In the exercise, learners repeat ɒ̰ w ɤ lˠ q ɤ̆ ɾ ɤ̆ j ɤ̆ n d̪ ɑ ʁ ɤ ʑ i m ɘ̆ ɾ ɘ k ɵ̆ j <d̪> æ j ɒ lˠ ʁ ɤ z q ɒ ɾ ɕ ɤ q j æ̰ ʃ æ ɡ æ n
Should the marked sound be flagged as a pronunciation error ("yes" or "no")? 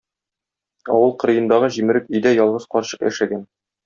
no